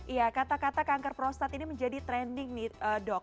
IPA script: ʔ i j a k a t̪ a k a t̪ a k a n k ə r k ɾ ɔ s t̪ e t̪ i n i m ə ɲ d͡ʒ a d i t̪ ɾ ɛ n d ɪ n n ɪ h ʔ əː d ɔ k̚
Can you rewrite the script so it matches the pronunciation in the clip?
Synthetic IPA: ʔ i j a k a t̪ a k a t̪ a k a ŋ k ə r p ɾ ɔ s t̪ a t̪ i n i m ə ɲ d͡ʒ a d i t̪ ɾ ɛ n d ɪ ŋ n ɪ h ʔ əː d ɔ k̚